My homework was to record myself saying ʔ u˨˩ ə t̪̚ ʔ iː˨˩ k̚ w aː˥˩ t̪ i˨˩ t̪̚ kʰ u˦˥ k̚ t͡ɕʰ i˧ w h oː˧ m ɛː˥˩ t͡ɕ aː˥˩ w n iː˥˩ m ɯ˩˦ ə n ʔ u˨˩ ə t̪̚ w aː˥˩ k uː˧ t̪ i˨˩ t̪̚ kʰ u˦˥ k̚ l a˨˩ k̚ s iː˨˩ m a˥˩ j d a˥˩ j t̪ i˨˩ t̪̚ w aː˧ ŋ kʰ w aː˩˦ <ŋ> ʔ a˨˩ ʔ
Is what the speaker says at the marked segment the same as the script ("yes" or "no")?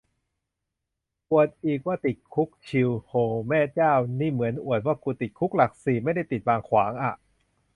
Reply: yes